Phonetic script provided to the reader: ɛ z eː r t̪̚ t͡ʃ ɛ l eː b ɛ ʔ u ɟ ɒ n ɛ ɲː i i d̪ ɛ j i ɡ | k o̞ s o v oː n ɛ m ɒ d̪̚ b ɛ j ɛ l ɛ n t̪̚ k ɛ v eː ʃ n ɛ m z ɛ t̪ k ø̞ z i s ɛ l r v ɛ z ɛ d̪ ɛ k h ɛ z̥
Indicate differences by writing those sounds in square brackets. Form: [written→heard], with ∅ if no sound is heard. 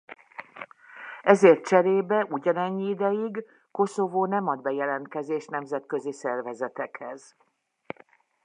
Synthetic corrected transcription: ɛ z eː r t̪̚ t͡ʃ ɛ [l→ɾ] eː b ɛ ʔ u ɟ ɒ n ɛ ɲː i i d̪ ɛ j i ɡ | k o̞ s o v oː n ɛ m ɒ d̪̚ b ɛ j ɛ l ɛ n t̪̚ k ɛ [v→z] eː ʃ n ɛ m z ɛ t̪ k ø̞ z i s ɛ [l→∅] r v ɛ z ɛ [d̪→t̪] ɛ k h ɛ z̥